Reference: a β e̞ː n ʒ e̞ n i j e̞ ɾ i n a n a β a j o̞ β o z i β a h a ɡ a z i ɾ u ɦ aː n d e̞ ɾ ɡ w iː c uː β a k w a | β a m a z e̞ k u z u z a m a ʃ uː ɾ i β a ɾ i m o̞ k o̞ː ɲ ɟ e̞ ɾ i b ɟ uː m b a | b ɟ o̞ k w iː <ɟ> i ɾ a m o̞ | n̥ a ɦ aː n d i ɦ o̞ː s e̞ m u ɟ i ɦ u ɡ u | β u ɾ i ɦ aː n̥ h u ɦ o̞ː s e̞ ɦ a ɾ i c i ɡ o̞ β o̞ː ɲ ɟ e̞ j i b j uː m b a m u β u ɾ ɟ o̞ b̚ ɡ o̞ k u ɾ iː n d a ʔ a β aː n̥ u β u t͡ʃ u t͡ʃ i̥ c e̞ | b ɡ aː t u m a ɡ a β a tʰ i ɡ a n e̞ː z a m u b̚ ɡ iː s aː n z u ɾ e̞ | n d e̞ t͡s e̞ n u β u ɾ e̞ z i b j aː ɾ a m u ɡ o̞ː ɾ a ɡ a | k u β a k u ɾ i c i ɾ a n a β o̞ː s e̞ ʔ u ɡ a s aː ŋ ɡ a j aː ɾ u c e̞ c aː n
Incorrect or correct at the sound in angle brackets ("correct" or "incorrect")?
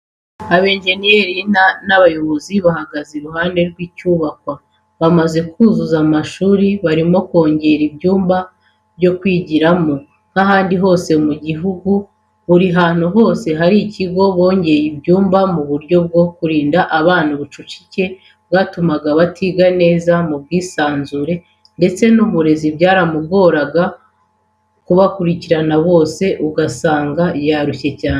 correct